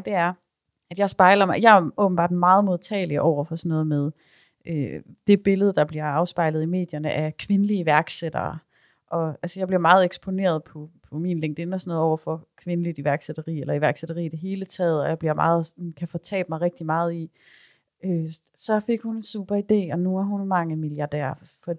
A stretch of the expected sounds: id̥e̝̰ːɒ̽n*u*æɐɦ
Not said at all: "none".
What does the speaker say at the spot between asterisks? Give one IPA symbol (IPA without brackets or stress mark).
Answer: u